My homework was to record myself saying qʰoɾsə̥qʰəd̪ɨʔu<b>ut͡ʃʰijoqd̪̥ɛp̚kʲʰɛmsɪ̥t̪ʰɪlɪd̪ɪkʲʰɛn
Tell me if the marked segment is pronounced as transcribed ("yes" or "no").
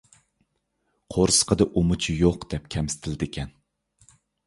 no